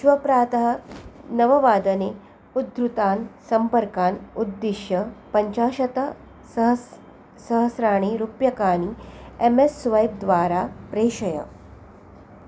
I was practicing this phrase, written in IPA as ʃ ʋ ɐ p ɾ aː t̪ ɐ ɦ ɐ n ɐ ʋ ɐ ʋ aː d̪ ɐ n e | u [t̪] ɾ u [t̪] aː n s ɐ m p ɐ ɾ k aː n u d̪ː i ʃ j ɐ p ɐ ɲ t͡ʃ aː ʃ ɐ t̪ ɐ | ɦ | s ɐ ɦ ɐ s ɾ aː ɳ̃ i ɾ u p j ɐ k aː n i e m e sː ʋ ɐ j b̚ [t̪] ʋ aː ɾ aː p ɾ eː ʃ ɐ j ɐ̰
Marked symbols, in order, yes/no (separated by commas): no, yes, no